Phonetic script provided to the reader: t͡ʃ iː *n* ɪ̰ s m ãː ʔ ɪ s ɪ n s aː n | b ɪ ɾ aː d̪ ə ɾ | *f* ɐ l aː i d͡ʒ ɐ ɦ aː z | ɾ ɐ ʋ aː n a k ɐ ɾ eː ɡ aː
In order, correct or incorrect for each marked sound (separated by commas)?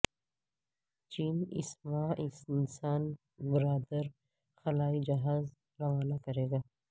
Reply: correct, incorrect